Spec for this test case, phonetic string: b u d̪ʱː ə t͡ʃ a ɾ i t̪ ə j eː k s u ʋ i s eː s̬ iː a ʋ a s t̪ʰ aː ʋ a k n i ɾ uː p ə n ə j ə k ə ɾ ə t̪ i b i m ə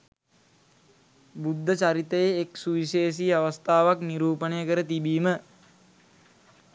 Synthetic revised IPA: b u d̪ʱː ə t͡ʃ a ɾ i t̪ ə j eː k s u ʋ i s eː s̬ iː a ʋ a s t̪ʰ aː ʋ a k n i ɾ uː p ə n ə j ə k ə ɾ ə t̪ i b iː m ə

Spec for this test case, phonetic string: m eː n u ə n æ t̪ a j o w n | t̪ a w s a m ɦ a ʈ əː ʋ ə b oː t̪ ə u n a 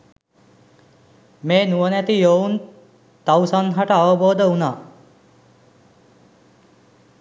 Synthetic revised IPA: m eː n u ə n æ t̪ i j o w n | t̪ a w s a n ɦ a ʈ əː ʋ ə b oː d̪ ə u n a

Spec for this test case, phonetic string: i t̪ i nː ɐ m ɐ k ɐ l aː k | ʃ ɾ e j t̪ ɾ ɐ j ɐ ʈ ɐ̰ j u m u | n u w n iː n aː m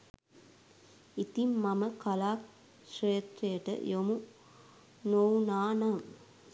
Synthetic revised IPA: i t̪ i mː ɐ m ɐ k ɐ l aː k | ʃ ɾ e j t̪ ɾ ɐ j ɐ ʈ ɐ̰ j o m u | n o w n aː n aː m

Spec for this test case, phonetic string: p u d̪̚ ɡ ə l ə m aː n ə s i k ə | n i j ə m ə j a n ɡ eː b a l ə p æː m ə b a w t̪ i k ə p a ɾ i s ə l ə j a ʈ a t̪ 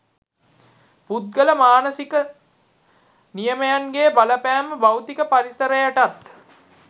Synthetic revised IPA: p u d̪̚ ɡ ə l ə m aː n ə s i k ə | n i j ə m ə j a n ɡ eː b a l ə p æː m ə b a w t̪ i k ə p a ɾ i s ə ɾ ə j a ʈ a t̪

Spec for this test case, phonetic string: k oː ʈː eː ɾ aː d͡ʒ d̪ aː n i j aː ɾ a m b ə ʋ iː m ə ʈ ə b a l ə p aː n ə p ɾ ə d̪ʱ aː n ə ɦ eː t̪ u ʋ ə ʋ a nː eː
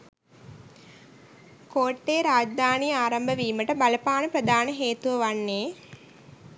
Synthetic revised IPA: k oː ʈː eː ɾ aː d͡ʒ d̪ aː n i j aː ɾ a m b ə ʋ iː m ə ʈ ə b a l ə p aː n ə p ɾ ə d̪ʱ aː n ə ɦ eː t̪ u ʋ ə ʋ a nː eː

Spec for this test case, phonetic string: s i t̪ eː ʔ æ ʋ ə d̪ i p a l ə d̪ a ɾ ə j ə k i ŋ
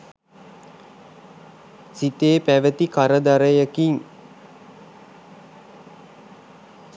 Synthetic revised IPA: s i t̪ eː p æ ʋ ə t̪ i k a ɾ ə d̪ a ɾ ə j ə k i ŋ

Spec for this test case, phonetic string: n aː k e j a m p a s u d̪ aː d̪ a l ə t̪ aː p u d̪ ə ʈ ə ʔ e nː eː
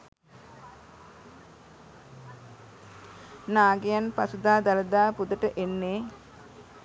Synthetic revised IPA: n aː ɡ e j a n p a s u d̪ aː d̪ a l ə d̪ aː p u d̪ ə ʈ ə ʔ e nː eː

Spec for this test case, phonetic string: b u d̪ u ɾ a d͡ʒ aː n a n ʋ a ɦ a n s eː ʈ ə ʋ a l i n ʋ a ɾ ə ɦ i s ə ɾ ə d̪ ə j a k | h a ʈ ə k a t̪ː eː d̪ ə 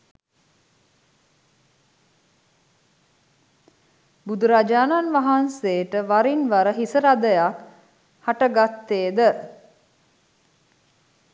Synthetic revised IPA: b u d̪ u ɾ a d͡ʒ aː n a n ʋ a ɦ a n s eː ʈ ə ʋ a ɾ i n ʋ a ɾ ə ɦ i s ə ɾ a d̪ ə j a k | h a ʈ ə ɡ a t̪ː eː d̪ ə

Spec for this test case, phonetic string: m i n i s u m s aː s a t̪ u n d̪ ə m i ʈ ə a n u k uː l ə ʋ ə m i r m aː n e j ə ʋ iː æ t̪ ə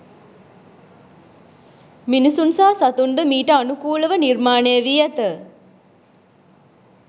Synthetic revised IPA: m i n i s u n s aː s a t̪ u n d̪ ə m iː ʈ ə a n u k uː l ə ʋ ə n i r m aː n e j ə ʋ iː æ t̪ ə

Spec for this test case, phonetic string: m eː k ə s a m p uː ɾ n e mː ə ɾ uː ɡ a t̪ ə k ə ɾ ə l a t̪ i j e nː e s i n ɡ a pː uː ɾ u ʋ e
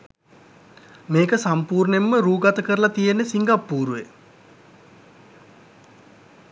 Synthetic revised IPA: m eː k ə s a m p uː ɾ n e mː ə ɾ uː ɡ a t̪ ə k ə ɾ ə l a t̪ i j e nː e s i ŋ ɡ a pː uː ɾ u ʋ e

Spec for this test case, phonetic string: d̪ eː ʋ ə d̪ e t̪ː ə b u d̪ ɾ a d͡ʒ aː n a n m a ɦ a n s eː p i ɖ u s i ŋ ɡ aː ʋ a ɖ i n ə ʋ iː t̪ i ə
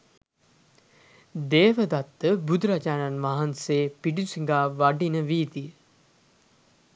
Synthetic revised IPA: d̪ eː ʋ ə d̪ a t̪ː ə b u d̪ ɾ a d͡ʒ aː n a n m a ɦ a n s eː p i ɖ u s i ŋ ɡ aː ʋ a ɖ i n ə ʋ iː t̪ i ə

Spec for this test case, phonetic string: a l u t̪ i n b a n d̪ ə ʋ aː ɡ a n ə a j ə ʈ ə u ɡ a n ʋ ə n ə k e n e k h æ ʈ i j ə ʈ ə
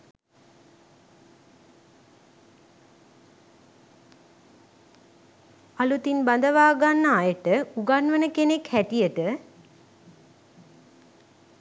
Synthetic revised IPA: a l u t̪ i n b a n d̪ ə ʋ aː ɡ a nː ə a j ə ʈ ə u ɡ a n ʋ ə n ə k e n e k h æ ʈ i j ə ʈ ə

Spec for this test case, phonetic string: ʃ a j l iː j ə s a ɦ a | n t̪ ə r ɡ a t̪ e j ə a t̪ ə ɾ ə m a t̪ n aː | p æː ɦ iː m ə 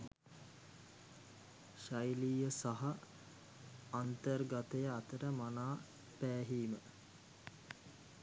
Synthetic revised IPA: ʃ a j l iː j ə s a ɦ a | n t̪ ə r ɡ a t̪ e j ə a t̪ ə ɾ ə m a n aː | p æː ɦ iː m ə

